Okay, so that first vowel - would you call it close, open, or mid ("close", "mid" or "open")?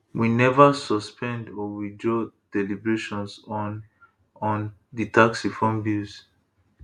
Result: close